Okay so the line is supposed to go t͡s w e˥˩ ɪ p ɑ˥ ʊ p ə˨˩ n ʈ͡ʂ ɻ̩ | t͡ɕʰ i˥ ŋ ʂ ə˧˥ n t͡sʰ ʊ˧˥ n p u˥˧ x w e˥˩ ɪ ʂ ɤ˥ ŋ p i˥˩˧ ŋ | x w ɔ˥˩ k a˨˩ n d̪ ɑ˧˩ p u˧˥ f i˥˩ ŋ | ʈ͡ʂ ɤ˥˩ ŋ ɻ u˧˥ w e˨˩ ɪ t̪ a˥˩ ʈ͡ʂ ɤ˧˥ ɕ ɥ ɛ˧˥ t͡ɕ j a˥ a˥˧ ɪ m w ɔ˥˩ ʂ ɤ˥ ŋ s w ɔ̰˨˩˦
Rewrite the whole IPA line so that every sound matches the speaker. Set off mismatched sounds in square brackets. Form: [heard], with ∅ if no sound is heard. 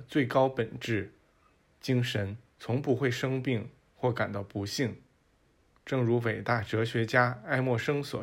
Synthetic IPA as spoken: t͡s w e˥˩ ɪ [k] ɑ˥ ʊ p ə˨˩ n ʈ͡ʂ ɻ̩ | [t͡ɕ] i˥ ŋ ʂ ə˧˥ n t͡sʰ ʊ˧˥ [ŋ] p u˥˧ x w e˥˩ ɪ ʂ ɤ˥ ŋ p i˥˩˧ ŋ | x w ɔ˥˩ k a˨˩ n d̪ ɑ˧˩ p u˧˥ [ɕ] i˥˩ ŋ | ʈ͡ʂ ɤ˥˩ ŋ ɻ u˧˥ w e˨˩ ɪ t̪ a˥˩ ʈ͡ʂ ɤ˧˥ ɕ ɥ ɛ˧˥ t͡ɕ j a˥ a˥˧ ɪ m w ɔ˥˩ ʂ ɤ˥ ŋ s w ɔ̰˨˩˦